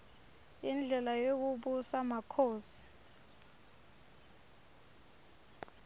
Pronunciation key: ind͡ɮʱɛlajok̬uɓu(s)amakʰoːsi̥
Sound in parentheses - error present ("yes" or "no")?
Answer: no